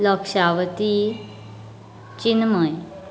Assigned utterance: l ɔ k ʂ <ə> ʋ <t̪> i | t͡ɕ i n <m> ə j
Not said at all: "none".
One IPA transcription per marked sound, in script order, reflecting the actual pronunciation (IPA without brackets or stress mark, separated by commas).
a, t̪, m